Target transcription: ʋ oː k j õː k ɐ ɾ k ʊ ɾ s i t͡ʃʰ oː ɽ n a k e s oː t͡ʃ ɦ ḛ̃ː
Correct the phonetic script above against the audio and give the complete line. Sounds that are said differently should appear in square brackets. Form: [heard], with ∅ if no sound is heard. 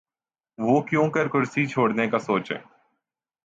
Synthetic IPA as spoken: ʋ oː k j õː k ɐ ɾ k ʊ ɾ s i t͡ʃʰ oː ɽ n [e] k [a] s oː t͡ʃ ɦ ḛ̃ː